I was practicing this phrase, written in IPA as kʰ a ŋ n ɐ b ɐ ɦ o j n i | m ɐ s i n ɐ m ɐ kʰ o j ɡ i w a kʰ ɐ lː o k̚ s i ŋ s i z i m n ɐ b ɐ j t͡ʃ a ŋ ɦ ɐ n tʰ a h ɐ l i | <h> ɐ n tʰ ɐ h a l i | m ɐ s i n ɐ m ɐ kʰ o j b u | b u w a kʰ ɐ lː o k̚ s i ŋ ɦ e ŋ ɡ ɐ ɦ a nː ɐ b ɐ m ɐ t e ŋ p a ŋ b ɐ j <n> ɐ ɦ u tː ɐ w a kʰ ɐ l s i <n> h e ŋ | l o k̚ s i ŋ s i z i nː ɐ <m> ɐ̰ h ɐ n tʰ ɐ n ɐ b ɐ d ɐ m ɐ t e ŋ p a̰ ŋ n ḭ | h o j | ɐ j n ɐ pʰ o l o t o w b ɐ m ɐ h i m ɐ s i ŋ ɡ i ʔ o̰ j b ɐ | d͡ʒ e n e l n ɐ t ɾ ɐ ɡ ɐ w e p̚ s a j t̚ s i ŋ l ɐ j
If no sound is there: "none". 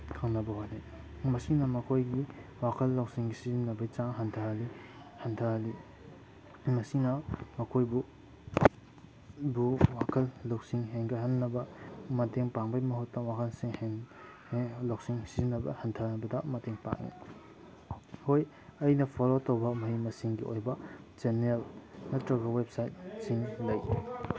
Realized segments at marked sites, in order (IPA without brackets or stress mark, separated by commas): h, m, ŋ, b